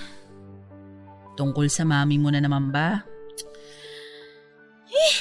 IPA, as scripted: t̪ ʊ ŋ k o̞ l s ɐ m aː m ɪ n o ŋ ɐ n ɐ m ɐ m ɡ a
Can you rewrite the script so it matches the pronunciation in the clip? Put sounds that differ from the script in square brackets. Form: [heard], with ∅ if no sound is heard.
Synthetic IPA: t̪ ʊ ŋ k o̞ l s ɐ m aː m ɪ [m] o [n] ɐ n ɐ m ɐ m [b] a